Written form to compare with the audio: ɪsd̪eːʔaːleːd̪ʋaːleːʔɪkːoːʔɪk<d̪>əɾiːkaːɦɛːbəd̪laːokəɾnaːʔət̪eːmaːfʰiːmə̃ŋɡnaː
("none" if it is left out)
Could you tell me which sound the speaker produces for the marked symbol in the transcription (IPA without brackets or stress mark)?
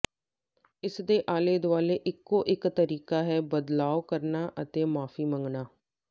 t̪